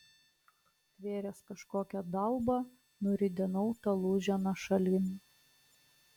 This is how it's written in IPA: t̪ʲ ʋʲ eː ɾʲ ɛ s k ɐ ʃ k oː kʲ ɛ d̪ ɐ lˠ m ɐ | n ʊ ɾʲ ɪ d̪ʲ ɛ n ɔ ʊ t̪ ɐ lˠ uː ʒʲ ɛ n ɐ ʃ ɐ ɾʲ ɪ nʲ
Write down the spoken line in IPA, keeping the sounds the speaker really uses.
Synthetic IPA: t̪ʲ ʋʲ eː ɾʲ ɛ s k ɐ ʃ k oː kʲ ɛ d̪ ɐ lˠ b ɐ | n ʊ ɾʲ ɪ d̪ʲ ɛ n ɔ ʊ t̪ ɐ lˠ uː ʒʲ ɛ n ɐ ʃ ɐ lʲ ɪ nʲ

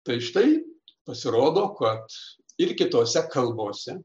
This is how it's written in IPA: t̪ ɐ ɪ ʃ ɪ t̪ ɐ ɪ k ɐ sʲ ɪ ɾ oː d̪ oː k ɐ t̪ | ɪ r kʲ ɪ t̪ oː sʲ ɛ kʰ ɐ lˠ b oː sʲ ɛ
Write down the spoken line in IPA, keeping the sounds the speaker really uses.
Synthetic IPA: t̪ ɐ ɪ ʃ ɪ t̪ ɐ ɪ p ɐ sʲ ɪ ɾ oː d̪ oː k ɐ t̪ | ɪ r kʲ ɪ t̪ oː sʲ ɛ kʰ ɐ lˠ b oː sʲ ɛ

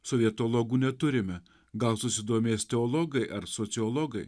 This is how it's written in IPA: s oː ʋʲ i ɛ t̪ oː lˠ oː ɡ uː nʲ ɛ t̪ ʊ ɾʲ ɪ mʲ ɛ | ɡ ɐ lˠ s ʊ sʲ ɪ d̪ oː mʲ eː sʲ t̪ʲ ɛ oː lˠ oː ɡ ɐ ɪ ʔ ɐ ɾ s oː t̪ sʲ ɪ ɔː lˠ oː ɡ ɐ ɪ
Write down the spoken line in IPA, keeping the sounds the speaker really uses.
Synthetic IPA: s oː ʋʲ i ɛ t̪ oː lˠ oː ɡ uː nʲ ɛ t̪ ʊ ɾʲ ɪ mʲ ɛ | ɡ ɐ lˠ s ʊ sʲ ɪ d̪ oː mʲ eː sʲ t̪ʲ ɛ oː lˠ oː ɡ ɐ ɪ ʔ ɐ ɾ s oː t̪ sʲ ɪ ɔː lˠ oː ɡ ɐ ɪ

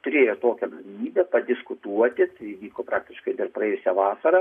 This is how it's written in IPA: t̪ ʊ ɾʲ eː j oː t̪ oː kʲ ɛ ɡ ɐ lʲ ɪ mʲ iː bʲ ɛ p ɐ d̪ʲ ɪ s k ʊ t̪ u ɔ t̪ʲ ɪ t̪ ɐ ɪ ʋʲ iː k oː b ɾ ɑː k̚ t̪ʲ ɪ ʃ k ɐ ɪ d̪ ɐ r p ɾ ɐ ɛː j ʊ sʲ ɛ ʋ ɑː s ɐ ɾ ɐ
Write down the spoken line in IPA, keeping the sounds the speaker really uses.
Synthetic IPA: t̪ ʊ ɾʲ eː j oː t̪ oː kʲ ɛ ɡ ɐ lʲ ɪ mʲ iː bʲ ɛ p ɐ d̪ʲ ɪ s k ʊ t̪ u ɔ t̪ʲ ɪ t̪ ɐ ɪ ʋʲ iː k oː p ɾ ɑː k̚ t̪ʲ ɪ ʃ k ɐ ɪ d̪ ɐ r p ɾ ɐ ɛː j ʊ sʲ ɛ ʋ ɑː s ɐ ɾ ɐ

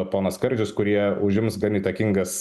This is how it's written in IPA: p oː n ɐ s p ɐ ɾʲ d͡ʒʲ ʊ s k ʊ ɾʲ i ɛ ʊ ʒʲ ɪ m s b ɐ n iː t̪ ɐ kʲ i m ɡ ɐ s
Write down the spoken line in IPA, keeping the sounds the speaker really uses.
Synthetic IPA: p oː n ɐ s k ɐ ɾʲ d͡ʒʲ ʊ s k ʊ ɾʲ i ɛ ʊ ʒʲ ɪ m s ɡ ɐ n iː t̪ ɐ kʲ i ŋ ɡ ɐ s

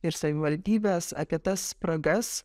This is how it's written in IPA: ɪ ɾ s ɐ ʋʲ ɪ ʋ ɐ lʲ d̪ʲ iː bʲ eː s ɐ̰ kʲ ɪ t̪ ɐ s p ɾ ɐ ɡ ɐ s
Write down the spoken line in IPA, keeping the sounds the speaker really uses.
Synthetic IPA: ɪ ɾ s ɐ ʋʲ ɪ ʋ ɐ lʲ d̪ʲ iː bʲ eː s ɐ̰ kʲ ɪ t̪ ɐ s p ɾ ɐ ɡ ɐ s

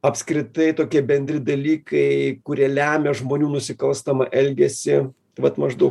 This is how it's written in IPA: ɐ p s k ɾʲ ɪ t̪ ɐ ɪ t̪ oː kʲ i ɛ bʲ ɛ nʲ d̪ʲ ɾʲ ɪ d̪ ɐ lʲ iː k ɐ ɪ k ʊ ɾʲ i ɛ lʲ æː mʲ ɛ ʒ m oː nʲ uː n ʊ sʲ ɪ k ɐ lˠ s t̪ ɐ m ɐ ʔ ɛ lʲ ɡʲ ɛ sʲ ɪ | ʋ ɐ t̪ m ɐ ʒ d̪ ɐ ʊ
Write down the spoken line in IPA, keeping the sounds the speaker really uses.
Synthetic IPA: ɐ p s k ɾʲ ɪ t̪ ɐ ɪ t̪ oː kʲ i ɛ bʲ ɛ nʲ d̪ʲ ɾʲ ɪ d̪ ɐ lʲ iː k ɐ ɪ k ʊ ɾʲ i ɛ lʲ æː mʲ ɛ ʒ m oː nʲ uː n ʊ sʲ ɪ k ɐ lˠ s t̪ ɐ m ɐ ʔ ɛ lʲ ɡʲ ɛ sʲ ɪ | ʋ ɐ t̪ m ɐ ʒ d̪ ɐ ʊ

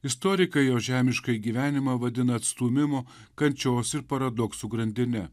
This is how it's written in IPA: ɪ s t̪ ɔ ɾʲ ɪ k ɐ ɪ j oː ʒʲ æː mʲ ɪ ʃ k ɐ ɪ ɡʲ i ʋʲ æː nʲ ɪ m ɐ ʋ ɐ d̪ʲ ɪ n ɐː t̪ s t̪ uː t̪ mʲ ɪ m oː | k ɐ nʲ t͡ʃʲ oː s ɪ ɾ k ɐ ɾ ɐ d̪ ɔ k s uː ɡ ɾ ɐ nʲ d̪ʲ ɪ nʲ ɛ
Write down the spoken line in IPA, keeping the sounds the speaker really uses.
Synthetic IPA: ɪ s t̪ ɔ ɾʲ ɪ k ɐ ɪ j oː ʒʲ æː mʲ ɪ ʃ k ɐ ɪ ɡʲ i ʋʲ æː nʲ ɪ m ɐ ʋ ɐ d̪ʲ ɪ n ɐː t̪ s t̪ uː mʲ ɪ m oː | k ɐ nʲ t͡ʃʲ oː s ɪ ɾ p ɐ ɾ ɐ d̪ ɔ k s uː ɡ ɾ ɐ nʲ d̪ʲ ɪ nʲ ɛ

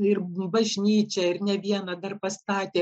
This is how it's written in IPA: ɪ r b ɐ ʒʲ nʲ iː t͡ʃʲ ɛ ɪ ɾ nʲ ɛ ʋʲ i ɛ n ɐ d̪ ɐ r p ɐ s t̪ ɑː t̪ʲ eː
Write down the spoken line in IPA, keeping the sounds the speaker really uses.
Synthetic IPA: ɪ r b ɐ ʒʲ nʲ iː t͡ʃʲ ɛ ɪ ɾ nʲ ɛ ʋʲ i ɛ n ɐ d̪ ɐ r p ɐ s t̪ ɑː t̪ʲ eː

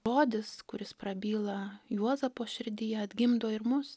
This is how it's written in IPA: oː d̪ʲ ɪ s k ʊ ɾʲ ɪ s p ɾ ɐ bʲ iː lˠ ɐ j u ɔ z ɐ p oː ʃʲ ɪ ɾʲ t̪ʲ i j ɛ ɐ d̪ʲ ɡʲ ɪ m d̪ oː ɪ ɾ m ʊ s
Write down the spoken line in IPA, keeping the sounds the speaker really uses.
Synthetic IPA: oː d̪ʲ ɪ s k ʊ ɾʲ ɪ s p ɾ ɐ bʲ iː lˠ ɐ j u ɔ z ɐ p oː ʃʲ ɪ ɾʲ d̪ʲ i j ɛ ɐ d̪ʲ ɡʲ ɪ m d̪ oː ɪ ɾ m ʊ s

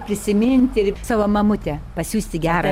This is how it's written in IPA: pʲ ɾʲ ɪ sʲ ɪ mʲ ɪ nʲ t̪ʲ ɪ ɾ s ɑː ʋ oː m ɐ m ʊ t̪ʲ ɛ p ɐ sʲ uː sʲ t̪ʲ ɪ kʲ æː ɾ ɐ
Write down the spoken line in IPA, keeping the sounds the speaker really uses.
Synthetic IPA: pʲ ɾʲ ɪ sʲ ɪ mʲ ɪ nʲ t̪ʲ ɪ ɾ s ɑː ʋ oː m ɐ m ʊ t̪ʲ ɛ p ɐ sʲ uː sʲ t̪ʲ ɪ ɡʲ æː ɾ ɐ

